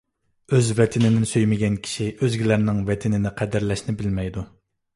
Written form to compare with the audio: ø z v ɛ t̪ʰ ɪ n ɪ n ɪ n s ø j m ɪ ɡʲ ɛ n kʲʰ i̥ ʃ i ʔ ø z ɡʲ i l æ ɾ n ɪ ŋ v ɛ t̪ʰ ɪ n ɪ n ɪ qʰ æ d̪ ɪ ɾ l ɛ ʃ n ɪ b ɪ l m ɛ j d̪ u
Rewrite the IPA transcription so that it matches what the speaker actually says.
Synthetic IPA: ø z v ɛ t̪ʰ ɪ n ɪ n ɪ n s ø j m ɪ ɡʲ ɛ n kʲʰ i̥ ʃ i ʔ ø z ɡʲ i l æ ɾ n ɪ ŋ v ɛ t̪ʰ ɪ n ɪ n ɪ qʰ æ d̪ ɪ ɾ l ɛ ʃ n ɪ b ɪ l m ɛ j d̪ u

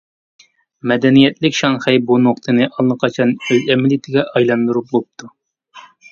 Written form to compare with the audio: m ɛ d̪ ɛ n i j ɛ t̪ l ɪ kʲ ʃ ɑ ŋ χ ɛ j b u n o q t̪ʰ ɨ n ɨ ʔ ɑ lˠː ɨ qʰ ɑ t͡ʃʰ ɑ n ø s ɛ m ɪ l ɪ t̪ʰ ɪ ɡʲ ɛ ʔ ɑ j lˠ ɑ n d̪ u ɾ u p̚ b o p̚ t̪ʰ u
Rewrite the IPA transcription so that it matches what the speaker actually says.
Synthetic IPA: m ɛ d̪ ɛ n i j ɛ t̪ l ɪ kʲ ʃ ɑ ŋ χ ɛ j b u n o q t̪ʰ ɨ n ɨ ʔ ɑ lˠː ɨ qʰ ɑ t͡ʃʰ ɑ n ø z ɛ m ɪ l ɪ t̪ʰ ɪ ɡʲ ɛ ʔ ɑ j lˠ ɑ n d̪ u ɾ u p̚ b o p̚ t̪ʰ u

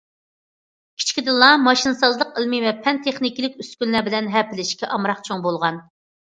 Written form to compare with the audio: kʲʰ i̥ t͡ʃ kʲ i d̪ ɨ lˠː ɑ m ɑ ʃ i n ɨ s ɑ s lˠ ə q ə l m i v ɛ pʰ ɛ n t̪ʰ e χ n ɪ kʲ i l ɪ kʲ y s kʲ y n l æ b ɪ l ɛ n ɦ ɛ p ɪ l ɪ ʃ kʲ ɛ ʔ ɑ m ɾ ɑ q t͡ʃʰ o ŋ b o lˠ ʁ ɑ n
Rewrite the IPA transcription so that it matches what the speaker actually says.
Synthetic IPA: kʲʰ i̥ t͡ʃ kʲ i d̪ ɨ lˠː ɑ m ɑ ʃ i n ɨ s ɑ z lˠ ə q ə l m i v ɛ pʰ ɛ n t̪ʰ e χ n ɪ kʲ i l ɪ kʲ y s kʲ y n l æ b ɪ l ɛ n ɦ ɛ p ɪ l ɪ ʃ kʲ ɛ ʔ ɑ m ɾ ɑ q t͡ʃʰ o ŋ b o lˠ ʁ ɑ n

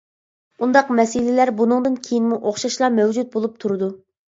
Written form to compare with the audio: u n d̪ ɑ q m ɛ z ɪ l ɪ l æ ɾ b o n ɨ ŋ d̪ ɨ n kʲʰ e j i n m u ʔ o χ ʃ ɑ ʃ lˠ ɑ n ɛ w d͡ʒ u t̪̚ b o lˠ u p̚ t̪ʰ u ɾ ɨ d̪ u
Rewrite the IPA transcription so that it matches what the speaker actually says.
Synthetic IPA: u n d̪ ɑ q m ɛ s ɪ l ɪ l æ ɾ b u n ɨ ŋ d̪ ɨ n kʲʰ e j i n m u ʔ o χ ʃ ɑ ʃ lˠ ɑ m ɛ w d͡ʒ u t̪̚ b o lˠ u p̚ t̪ʰ u ɾ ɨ d̪ u

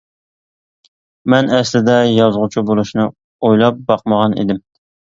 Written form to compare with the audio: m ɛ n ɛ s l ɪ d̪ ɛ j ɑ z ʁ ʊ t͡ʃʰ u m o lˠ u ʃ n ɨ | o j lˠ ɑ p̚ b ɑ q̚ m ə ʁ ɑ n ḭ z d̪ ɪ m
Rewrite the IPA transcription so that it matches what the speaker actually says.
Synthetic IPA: m ɛ n ɛ s l ɪ d̪ ɛ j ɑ z ʁ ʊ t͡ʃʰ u b o lˠ u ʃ n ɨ | o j lˠ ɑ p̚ b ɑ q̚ m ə ʁ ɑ n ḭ d̪ ɪ m

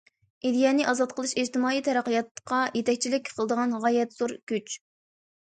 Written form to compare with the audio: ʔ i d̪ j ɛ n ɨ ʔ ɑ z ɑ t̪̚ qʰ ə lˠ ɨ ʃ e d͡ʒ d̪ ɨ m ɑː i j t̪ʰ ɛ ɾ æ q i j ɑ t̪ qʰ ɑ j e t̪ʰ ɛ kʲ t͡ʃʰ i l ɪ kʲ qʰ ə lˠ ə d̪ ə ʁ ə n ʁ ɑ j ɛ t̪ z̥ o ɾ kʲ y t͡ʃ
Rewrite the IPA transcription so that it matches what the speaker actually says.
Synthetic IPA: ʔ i d̪ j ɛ n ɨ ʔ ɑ z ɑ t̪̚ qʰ ə lˠ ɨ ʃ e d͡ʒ t̪ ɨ m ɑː i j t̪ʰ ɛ ɾ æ q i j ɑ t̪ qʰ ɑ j e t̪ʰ ɛ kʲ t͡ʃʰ i l ɪ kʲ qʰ ə lˠ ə d̪ ə ʁ ɑ n ʁ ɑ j ɛ t̪ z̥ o ɾ kʲ y t͡ʃ

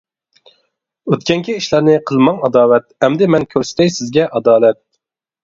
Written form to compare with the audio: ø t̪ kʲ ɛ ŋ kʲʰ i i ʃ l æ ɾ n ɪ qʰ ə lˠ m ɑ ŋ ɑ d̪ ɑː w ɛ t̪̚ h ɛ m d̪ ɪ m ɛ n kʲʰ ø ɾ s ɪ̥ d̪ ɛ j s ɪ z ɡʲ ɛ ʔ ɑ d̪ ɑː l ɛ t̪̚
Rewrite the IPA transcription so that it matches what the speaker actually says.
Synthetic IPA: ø t̪ kʲ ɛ ŋ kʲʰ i i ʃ l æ ɾ n ɪ qʰ ə lˠ m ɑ ŋ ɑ d̪ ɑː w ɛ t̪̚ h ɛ m d̪ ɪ m ɛ n kʲʰ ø ɾ s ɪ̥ t̪ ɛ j s ɪ z ɡʲ ɛ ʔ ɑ d̪ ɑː l ɛ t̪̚

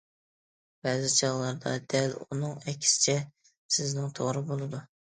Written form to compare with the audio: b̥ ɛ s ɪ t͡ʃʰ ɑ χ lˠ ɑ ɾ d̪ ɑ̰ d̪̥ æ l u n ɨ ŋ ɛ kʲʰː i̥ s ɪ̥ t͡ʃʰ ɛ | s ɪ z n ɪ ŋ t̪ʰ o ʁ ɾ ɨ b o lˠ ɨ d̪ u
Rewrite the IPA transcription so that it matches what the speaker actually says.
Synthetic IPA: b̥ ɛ z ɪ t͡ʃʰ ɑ ʁ lˠ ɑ ɾ d̪ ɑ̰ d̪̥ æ l u n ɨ ŋ ɛ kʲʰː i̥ s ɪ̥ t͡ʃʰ ɛ | s ɪ z n ɪ ŋ t̪ʰ o ʁ ɾ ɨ b o lˠ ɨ d̪ u

